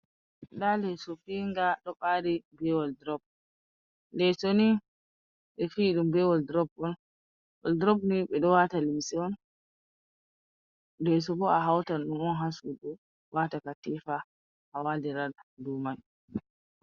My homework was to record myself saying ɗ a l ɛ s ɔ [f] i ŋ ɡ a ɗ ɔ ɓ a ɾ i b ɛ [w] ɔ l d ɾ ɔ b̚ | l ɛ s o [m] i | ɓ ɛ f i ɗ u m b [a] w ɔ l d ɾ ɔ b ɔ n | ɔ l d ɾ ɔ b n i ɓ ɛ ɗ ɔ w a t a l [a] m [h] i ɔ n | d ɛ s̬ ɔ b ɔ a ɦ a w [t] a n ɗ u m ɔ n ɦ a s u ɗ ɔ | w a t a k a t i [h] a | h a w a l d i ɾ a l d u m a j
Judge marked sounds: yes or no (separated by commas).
yes, yes, no, no, no, no, yes, no